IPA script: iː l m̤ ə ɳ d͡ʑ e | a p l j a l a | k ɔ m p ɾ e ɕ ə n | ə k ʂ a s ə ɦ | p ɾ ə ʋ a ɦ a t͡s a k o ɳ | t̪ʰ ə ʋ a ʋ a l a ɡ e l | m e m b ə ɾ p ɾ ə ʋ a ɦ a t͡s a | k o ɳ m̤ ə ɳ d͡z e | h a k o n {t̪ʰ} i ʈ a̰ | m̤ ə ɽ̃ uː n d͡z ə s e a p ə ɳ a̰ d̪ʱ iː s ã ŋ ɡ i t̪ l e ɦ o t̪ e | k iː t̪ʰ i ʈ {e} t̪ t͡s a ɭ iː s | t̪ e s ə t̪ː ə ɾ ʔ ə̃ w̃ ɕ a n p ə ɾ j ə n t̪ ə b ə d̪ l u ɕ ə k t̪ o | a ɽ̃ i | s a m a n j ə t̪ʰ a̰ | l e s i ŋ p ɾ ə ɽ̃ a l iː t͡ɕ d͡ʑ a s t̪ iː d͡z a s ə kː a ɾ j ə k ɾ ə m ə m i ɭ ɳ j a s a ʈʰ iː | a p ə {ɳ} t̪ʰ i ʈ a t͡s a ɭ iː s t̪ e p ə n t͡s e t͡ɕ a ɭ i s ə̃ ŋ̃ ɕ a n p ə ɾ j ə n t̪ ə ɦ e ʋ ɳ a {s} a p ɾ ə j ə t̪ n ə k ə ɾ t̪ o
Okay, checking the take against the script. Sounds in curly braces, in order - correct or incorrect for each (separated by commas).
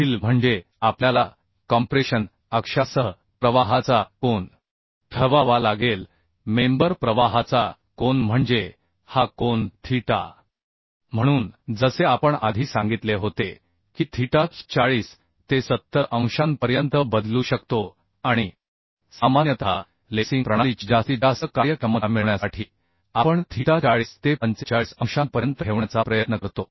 correct, incorrect, correct, incorrect